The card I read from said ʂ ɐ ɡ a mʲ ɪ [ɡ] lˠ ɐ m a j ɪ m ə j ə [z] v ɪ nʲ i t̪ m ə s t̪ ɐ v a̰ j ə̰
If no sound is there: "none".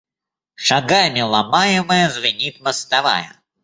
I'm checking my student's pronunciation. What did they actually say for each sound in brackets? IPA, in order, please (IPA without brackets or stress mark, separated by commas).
none, z